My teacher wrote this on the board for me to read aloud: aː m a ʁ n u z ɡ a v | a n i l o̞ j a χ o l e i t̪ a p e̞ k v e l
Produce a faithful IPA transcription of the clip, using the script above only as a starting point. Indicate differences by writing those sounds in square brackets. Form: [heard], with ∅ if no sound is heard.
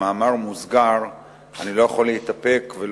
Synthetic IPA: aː m a ʁ [m] u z ɡ a [ʁ] | a n i l o̞ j a χ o l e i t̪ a p e̞ k v e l